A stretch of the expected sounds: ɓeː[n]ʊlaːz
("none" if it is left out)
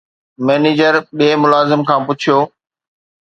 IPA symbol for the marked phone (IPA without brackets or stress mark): m